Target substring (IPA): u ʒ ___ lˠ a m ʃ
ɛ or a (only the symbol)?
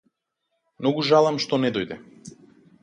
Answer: a